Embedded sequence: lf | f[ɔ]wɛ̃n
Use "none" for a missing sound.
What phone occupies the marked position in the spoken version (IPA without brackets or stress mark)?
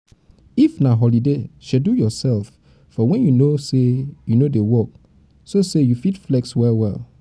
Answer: ɔ